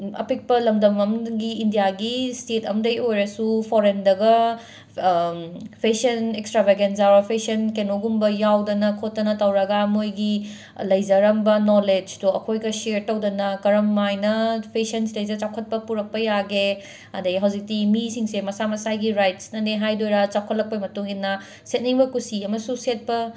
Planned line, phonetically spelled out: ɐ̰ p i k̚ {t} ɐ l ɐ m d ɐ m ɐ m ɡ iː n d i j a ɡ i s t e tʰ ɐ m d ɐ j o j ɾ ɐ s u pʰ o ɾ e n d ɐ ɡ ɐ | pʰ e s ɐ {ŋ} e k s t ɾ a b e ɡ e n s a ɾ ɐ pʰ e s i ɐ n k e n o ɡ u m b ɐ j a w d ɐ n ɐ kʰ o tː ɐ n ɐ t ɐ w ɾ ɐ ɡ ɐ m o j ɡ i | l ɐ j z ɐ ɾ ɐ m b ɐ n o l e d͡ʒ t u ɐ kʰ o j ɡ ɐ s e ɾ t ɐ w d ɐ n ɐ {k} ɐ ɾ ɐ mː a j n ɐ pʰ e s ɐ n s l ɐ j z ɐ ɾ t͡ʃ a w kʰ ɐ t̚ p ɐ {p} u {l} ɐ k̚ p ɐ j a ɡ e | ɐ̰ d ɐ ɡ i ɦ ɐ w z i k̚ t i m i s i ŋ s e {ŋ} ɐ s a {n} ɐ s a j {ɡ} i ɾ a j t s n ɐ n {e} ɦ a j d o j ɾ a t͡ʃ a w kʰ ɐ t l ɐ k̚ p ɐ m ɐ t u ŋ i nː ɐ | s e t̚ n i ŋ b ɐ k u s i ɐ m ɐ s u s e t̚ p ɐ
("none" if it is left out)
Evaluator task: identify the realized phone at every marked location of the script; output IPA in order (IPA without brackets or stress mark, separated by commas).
p, n, k, p, ɾ, m, m, ɡ, e